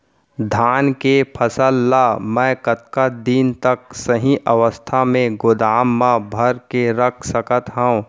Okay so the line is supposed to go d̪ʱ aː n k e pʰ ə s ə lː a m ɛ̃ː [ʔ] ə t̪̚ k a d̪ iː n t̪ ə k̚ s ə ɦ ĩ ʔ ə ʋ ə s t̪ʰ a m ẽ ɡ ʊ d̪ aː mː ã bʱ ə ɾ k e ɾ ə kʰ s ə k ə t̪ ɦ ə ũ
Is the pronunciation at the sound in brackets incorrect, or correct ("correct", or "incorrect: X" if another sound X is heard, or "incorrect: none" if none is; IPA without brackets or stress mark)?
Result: incorrect: k